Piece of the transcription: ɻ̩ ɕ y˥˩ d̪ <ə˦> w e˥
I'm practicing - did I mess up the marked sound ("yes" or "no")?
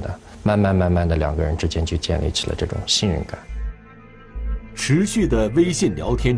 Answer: yes